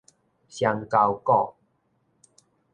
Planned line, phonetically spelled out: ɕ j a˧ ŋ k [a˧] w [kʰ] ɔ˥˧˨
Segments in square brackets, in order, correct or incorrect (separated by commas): correct, incorrect